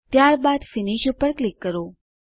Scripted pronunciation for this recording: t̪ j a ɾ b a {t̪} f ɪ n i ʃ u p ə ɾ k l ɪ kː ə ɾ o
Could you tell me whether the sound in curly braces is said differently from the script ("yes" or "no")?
yes